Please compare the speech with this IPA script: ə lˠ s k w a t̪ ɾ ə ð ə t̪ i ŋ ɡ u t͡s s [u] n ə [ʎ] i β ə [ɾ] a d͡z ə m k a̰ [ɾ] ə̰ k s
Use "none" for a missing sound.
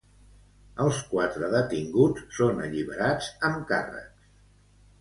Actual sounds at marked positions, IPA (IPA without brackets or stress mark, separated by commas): o, ʎ, ɾ, r